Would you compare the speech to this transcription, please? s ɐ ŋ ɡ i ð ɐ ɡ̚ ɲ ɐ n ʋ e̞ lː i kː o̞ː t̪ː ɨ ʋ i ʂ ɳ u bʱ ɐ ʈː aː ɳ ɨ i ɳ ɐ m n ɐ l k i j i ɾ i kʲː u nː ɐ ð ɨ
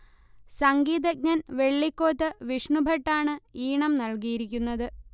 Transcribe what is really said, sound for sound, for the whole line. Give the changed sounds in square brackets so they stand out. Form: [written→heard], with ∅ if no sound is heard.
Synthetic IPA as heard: s ɐ ŋ ɡ [i→iː] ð ɐ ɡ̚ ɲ ɐ n ʋ e̞ [lː→ɭː] i kː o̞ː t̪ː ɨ ʋ i ʂ ɳ u bʱ ɐ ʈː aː ɳ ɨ [i→iː] ɳ ɐ m n ɐ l k i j i ɾ i kʲː u nː ɐ ð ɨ